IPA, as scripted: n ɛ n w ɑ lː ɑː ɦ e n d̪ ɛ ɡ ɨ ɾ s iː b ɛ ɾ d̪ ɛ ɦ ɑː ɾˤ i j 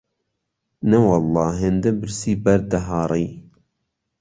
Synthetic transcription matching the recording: n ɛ w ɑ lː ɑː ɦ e n d̪ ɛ b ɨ ɾ s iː b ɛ ɾ d̪ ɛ ɦ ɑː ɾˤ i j